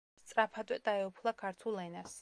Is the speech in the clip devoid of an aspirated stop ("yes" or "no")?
no